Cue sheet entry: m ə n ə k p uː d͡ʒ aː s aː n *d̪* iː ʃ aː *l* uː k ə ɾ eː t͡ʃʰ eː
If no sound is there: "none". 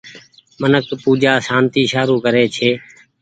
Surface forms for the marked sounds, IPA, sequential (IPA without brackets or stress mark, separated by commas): t̪, ɾ